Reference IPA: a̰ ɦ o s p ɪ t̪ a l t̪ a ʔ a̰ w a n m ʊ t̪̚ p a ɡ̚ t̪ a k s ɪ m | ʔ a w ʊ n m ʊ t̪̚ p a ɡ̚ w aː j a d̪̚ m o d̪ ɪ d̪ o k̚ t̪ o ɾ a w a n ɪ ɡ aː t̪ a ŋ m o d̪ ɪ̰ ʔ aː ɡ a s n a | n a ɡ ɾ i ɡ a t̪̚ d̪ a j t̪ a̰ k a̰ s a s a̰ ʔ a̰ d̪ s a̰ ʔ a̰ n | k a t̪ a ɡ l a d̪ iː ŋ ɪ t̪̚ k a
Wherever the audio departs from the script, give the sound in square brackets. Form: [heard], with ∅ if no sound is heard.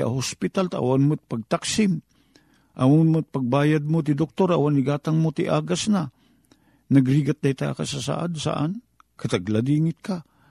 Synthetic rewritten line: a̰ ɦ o s p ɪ t̪ a l t̪ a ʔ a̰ w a n m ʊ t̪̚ p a ɡ̚ t̪ a k s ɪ m | ʔ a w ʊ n m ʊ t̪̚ p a ɡ̚ [b] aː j a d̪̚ m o [t̪] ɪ d̪ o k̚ t̪ o ɾ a w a n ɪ ɡ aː t̪ a ŋ m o [t̪] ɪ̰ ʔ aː ɡ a s n a | n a ɡ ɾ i ɡ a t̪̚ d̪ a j t̪ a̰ k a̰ s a s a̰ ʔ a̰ d̪ s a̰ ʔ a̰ n | k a t̪ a ɡ l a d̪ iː ŋ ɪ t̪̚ k a